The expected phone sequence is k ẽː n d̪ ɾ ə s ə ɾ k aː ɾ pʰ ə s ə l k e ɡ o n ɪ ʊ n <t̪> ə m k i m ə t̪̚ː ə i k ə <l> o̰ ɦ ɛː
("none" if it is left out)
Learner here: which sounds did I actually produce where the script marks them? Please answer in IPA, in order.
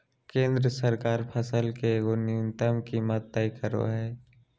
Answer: t̪, ɾ

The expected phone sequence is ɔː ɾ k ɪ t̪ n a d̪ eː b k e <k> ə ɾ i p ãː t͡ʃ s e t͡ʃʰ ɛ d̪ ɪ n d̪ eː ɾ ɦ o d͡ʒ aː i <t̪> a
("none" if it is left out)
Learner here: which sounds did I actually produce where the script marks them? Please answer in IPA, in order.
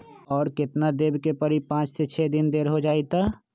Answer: p, t̪

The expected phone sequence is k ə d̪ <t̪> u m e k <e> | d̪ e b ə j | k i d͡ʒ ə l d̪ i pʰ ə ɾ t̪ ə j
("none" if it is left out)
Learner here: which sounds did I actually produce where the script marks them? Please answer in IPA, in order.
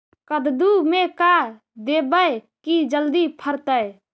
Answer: d̪, a

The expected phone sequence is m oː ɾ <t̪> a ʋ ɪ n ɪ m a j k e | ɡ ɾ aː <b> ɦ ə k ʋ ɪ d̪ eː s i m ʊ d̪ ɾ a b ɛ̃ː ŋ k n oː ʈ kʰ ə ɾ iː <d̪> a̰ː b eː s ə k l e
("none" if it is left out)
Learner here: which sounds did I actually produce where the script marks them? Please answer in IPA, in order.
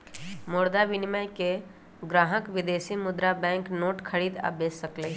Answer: d̪, none, d̪

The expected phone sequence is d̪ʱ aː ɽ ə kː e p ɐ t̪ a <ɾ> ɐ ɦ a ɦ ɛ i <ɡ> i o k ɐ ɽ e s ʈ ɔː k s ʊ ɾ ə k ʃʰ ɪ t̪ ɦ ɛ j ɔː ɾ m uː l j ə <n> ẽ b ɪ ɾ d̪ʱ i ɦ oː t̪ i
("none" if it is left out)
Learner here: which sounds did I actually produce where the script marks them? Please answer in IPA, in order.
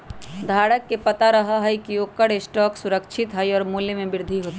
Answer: ɾ, k, m

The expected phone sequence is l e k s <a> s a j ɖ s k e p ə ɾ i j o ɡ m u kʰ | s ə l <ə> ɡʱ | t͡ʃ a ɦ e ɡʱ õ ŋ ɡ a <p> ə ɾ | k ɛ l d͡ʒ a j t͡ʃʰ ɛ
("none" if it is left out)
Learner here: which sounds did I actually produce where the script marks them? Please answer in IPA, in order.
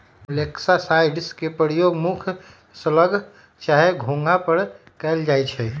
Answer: a, ə, p

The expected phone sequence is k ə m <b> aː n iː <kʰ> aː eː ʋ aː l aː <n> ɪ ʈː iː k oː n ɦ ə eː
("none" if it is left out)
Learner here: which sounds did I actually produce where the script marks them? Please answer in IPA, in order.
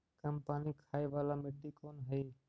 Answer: p, kʰ, m

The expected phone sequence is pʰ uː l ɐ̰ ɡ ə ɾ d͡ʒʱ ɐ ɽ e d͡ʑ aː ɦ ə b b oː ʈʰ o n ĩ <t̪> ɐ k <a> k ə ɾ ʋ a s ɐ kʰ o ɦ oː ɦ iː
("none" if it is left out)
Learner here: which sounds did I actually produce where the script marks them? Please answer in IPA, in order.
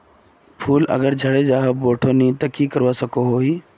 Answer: t̪, i

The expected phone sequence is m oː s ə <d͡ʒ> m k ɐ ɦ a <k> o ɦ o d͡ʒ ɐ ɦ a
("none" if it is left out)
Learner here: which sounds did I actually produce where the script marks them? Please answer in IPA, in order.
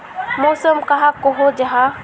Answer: none, k

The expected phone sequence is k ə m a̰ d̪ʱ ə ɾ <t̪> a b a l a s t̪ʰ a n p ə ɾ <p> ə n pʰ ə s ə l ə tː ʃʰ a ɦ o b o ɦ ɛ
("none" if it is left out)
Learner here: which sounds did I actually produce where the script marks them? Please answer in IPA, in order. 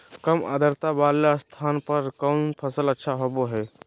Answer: t̪, k

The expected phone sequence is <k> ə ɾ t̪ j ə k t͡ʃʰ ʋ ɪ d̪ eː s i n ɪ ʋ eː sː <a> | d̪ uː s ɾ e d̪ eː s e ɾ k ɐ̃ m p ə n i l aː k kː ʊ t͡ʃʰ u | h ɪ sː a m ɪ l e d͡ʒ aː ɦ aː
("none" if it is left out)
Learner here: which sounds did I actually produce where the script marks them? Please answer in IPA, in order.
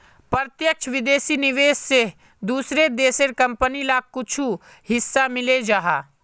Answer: p, e

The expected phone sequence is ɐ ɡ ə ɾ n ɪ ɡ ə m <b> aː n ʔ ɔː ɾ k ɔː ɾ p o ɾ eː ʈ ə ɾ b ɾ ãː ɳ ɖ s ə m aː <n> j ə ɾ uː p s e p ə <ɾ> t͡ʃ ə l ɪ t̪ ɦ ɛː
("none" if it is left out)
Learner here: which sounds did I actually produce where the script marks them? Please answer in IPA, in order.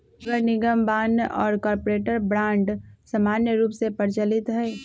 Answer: b, n, ɾ

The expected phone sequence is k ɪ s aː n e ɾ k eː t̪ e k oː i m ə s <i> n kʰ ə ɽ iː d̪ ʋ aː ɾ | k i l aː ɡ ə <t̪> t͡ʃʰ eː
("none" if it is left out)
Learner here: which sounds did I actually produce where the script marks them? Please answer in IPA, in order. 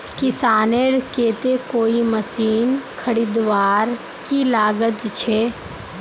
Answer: iː, t̪

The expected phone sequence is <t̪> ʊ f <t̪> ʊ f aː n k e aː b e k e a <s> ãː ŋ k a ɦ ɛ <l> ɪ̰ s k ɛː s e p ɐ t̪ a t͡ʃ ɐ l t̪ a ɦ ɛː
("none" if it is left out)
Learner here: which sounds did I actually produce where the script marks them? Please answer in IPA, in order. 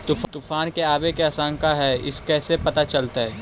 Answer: t̪, t̪, s, none

